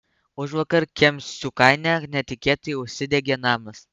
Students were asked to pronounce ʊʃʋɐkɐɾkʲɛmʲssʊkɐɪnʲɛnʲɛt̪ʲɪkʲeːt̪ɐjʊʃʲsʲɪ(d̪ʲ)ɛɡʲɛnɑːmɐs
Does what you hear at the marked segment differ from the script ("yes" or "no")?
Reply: no